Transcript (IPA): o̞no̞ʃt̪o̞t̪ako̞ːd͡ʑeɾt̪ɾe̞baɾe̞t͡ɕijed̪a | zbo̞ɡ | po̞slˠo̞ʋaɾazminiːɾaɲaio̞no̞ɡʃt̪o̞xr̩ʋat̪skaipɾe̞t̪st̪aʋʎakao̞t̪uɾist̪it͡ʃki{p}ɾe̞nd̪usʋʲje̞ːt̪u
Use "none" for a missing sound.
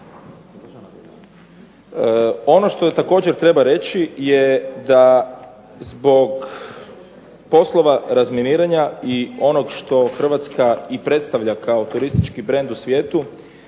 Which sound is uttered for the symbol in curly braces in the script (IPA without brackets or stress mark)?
b